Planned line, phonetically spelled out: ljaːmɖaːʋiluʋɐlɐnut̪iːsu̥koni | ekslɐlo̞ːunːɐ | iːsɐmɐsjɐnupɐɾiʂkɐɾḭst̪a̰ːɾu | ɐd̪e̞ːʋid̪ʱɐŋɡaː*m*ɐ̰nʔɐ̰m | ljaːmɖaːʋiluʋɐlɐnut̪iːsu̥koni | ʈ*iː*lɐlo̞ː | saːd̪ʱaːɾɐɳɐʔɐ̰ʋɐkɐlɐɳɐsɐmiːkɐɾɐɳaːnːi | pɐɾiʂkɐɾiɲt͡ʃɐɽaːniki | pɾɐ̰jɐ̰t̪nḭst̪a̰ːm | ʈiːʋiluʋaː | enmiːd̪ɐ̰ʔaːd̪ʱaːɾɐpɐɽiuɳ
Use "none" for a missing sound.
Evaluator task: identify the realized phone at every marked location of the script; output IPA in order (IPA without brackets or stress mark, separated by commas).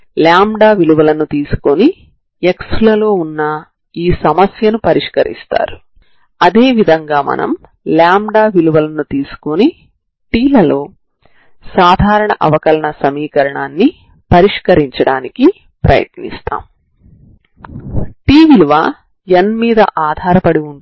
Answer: m, iː